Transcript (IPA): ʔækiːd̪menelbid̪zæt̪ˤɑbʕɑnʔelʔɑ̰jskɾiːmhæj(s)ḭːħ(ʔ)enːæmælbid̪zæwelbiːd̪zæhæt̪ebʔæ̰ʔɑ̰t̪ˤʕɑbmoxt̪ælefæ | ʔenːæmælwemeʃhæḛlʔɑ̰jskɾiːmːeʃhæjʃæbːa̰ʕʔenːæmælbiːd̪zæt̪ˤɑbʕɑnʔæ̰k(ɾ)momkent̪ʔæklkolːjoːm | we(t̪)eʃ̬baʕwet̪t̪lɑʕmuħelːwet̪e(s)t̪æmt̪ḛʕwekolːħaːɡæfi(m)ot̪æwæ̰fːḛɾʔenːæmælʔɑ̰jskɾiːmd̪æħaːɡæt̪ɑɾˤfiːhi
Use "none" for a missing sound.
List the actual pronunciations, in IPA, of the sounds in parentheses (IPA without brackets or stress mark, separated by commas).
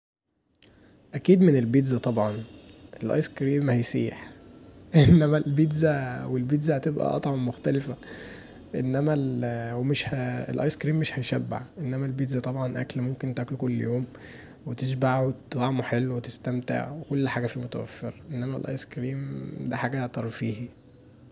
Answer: s, ʔ, l, t̪, s, m